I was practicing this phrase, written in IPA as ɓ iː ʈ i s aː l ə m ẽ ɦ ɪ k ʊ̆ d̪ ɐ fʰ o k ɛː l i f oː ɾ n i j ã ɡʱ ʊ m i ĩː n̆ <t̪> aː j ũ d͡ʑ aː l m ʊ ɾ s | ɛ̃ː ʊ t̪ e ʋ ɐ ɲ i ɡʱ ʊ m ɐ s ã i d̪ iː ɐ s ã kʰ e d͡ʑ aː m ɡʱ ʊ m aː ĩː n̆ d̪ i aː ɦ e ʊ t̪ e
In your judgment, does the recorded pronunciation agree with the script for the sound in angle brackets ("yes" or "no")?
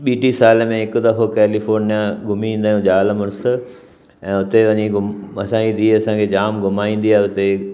no